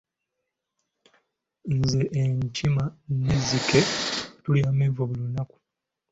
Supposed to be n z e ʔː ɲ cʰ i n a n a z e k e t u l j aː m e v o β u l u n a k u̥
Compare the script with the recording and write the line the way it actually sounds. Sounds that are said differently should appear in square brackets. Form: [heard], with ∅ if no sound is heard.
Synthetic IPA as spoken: n z e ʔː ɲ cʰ i [m] a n [e] z [i] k e t u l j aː m e v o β u l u n a k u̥

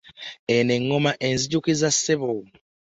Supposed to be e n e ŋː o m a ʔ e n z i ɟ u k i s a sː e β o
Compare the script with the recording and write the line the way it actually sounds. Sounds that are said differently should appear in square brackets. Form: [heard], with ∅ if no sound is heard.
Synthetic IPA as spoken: e n e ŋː o m a ʔ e n z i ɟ u k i [z] a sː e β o

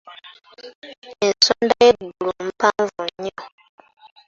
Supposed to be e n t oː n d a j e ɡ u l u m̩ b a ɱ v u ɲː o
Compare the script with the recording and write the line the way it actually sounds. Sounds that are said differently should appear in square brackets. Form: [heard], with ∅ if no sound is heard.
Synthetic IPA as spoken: e n [s] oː n d a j e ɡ u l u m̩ [p] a ɱ v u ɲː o

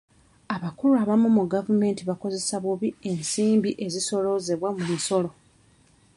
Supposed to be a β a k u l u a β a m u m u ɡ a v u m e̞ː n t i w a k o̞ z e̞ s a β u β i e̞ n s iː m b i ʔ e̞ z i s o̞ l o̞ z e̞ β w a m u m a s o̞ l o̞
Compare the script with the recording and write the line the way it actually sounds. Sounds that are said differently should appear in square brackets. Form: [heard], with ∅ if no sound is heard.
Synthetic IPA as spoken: a β a k u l u a β a m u m u ɡ a v u m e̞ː n t i [β] a k o̞ z e̞ s a β u β i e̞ n s iː m b i ʔ e̞ z i s o̞ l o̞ z e̞ β w a m u m [i] s o̞ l o̞

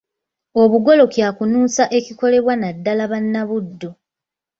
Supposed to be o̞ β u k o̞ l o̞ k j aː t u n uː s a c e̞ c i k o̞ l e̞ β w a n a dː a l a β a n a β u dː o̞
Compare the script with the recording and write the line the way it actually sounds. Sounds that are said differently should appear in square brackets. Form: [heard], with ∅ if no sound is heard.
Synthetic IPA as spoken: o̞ β u [ɡ] o̞ l o̞ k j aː [k] u n uː s a [ʔ] e̞ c i k o̞ l e̞ β w a n a dː a l a β a [nː] a β u dː o̞

